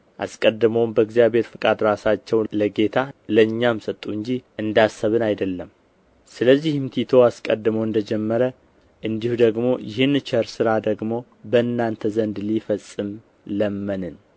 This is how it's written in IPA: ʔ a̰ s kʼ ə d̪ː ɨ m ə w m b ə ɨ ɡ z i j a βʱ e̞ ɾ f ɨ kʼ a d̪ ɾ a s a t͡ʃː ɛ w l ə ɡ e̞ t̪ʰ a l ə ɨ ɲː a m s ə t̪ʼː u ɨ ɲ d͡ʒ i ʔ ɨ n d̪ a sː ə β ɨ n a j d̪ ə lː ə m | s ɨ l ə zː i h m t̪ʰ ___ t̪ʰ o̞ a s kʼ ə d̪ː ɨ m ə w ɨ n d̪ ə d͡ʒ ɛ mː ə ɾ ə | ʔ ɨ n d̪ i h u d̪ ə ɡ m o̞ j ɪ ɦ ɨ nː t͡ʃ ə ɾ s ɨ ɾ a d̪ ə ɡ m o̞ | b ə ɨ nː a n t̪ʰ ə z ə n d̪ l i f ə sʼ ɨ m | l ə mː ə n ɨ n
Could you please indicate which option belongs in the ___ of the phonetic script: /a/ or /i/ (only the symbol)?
i